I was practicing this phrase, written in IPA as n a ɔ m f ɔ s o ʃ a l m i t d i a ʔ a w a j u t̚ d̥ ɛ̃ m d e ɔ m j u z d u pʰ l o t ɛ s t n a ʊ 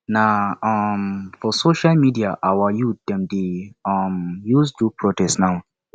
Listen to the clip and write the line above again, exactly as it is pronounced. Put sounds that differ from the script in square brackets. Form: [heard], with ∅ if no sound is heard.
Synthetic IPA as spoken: n a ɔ m f ɔ s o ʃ a l m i [∅] d i a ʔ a w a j u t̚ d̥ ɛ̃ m d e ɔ m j u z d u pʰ [ɹ] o t ɛ s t n a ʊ